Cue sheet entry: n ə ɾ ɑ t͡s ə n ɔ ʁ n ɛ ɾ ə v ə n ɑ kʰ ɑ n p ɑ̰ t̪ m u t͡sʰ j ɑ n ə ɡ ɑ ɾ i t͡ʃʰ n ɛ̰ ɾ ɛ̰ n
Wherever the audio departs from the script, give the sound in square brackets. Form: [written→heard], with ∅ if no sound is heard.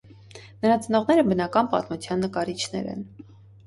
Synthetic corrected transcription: n ə ɾ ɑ t͡s ə n ɔ ʁ n ɛ ɾ ə [v→b] ə n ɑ [kʰ→k] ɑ n p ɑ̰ t̪ m u t͡sʰ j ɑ [n→nː] ə [ɡ→k] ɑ ɾ i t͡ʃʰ n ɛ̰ ɾ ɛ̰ n